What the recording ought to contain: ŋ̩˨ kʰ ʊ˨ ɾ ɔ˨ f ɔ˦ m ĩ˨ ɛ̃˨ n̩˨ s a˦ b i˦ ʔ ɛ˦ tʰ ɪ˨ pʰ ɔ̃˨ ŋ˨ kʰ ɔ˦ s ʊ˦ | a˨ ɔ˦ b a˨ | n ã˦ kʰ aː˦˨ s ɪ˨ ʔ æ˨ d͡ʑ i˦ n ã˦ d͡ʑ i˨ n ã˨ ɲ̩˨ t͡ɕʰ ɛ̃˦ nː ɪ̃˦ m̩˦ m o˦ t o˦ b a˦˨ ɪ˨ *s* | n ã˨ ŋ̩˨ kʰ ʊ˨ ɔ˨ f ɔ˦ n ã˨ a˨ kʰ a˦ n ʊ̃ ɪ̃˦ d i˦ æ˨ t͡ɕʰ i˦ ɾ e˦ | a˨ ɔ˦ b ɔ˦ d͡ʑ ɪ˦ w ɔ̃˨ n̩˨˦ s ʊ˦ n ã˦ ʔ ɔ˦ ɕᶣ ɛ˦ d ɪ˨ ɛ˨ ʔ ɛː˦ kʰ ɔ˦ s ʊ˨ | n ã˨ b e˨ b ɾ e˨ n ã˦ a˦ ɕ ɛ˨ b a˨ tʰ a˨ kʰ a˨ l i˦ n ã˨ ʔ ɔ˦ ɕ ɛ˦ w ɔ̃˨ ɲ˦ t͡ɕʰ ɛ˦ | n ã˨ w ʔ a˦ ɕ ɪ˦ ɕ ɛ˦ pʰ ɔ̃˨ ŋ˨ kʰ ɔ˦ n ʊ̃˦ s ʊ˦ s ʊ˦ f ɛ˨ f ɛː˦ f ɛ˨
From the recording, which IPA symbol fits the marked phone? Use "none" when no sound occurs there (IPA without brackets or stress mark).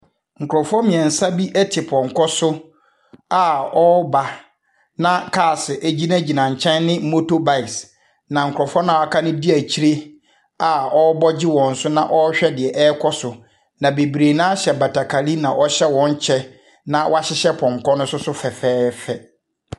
s